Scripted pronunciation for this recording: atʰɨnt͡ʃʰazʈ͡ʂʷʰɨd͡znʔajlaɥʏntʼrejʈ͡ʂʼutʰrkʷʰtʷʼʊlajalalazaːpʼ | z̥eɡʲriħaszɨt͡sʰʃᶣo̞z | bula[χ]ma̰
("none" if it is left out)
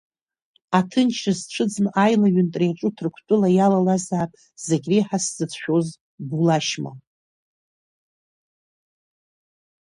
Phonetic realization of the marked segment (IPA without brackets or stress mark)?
ʃ